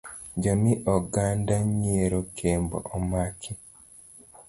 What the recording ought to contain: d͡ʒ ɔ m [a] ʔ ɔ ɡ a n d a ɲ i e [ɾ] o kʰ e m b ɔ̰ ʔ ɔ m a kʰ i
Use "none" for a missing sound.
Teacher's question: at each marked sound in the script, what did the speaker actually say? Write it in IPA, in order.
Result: i, ɾ

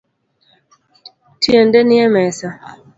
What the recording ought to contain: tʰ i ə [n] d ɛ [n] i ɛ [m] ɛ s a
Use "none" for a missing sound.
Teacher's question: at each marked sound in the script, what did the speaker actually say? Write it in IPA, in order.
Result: n, n, m

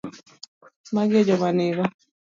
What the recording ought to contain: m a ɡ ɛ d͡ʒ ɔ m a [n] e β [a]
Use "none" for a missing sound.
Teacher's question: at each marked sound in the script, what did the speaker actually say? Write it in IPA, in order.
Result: n, a

